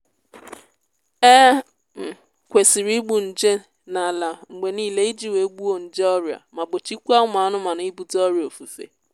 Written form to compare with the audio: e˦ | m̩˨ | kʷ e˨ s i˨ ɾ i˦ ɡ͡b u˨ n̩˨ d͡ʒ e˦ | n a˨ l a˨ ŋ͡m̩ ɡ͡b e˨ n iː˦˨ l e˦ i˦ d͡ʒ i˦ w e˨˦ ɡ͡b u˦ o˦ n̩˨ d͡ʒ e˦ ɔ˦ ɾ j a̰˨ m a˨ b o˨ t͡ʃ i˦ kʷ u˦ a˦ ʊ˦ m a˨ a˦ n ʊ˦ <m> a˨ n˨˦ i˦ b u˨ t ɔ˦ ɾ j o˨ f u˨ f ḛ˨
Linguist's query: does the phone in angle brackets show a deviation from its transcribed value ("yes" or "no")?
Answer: no